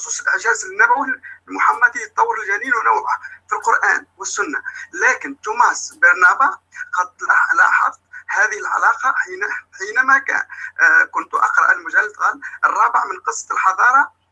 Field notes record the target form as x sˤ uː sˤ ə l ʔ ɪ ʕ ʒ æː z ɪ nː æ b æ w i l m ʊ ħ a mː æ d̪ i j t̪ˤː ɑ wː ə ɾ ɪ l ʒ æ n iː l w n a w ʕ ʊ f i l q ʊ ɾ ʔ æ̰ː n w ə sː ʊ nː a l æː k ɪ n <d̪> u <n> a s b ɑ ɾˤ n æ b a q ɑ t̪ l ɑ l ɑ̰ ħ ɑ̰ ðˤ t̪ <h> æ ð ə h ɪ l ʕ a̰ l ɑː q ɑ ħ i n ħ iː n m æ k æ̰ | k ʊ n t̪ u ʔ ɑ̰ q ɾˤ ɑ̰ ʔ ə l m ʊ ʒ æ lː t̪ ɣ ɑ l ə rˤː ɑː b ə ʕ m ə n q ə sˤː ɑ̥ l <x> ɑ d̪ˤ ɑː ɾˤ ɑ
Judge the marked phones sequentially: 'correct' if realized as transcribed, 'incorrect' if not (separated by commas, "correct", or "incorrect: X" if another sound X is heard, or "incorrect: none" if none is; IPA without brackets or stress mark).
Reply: incorrect: t̪, incorrect: m, correct, incorrect: ħ